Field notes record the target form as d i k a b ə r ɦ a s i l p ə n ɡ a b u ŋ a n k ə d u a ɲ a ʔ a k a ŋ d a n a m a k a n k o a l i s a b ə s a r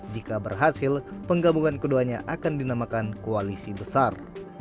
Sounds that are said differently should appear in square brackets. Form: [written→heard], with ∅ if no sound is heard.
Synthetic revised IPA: [d→d͡ʒ] i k a b ə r ɦ a s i l p ə [n→ŋ] ɡ a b u ŋ a n k ə d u a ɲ a ʔ a k a [ŋ→n] d [a→i] n a m a k a n k o a l i s [a→i] b ə s a r